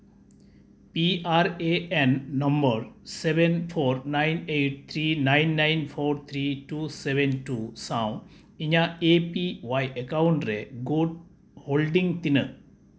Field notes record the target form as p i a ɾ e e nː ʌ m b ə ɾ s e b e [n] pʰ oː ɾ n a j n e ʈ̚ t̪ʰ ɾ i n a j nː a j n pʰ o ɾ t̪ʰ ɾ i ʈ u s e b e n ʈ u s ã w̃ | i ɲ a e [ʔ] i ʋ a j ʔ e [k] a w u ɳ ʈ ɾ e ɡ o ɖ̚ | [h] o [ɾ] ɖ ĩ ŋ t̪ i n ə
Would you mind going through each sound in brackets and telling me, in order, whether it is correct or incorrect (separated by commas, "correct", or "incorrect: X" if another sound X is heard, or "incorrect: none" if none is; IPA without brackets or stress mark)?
correct, incorrect: p, correct, correct, incorrect: l